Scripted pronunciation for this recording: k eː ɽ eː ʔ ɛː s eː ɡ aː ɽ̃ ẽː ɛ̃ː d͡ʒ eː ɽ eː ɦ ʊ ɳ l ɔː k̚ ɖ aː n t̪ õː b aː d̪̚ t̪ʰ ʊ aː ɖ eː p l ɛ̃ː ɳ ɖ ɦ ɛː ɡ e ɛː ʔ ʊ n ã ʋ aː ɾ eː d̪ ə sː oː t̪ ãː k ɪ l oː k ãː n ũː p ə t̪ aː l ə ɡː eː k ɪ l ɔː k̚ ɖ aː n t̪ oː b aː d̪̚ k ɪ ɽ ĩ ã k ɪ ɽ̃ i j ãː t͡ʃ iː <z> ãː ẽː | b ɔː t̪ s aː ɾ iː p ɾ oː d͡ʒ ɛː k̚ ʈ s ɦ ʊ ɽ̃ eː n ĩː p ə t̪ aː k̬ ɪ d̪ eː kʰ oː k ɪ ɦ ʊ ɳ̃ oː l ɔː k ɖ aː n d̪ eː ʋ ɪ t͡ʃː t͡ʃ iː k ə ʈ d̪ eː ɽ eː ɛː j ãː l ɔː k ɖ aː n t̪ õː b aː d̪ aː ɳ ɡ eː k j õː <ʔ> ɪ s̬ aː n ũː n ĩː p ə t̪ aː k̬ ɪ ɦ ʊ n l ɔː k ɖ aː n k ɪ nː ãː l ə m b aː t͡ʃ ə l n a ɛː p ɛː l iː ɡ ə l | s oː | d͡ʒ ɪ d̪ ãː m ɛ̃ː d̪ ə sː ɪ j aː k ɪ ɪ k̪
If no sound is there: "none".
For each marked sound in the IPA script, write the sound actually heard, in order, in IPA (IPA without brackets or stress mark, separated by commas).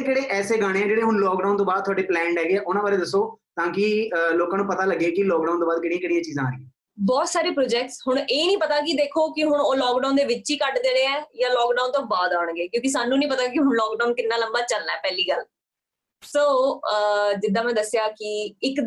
z, k